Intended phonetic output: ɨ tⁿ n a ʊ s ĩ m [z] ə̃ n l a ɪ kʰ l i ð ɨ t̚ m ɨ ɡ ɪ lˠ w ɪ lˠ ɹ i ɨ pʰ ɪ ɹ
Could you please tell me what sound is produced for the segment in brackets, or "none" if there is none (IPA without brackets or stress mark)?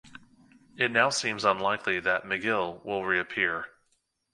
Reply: z